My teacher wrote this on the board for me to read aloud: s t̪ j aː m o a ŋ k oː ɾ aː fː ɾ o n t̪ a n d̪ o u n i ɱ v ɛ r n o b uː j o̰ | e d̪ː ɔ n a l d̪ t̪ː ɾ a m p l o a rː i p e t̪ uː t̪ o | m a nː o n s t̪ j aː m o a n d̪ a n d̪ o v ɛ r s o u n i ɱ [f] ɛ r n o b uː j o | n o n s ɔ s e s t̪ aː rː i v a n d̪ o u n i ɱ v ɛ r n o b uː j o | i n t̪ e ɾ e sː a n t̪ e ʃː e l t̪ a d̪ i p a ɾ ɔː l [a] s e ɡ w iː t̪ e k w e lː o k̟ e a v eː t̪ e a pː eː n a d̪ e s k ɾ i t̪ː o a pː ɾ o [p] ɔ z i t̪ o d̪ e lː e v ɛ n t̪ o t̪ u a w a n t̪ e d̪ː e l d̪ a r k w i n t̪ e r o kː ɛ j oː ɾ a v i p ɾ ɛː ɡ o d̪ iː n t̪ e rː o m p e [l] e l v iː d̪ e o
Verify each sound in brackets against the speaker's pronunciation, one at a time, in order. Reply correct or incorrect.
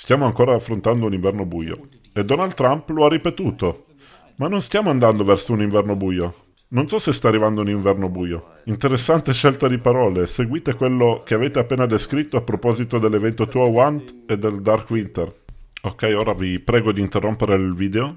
incorrect: v, incorrect: e, correct, incorrect: ɾ

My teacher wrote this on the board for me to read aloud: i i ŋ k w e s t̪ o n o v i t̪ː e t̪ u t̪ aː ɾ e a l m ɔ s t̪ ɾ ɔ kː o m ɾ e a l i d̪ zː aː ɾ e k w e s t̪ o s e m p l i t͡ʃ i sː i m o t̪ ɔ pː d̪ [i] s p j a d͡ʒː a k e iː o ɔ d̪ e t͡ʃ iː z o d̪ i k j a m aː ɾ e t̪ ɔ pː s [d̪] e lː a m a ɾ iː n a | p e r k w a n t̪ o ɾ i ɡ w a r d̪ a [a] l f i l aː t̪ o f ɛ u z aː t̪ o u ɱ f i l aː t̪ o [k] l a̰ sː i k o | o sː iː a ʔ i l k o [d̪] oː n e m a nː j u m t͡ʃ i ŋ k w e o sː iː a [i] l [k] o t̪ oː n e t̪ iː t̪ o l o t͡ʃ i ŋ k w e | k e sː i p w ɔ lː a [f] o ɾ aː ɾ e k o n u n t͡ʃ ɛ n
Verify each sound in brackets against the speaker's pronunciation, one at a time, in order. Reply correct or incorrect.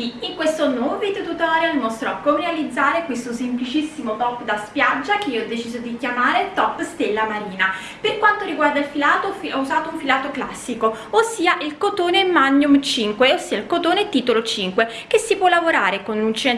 incorrect: a, incorrect: t̪, incorrect: i, correct, incorrect: t̪, correct, correct, incorrect: v

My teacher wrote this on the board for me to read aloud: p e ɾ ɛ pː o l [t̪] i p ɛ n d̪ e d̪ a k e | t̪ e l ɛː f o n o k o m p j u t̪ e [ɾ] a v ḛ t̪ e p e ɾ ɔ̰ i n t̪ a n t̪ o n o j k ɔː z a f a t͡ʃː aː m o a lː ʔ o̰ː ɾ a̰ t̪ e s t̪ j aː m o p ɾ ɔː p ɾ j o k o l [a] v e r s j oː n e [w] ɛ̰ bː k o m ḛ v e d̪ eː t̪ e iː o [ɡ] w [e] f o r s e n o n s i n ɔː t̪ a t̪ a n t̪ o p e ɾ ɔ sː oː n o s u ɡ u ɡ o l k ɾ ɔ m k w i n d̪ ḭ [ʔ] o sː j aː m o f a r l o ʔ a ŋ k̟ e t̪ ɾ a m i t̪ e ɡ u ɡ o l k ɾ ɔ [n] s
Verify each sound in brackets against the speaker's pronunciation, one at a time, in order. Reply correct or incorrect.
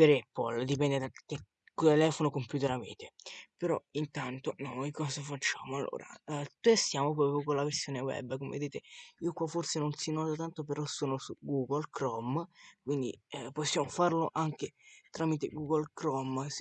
incorrect: d̪, correct, correct, correct, incorrect: k, incorrect: a, incorrect: p, incorrect: m

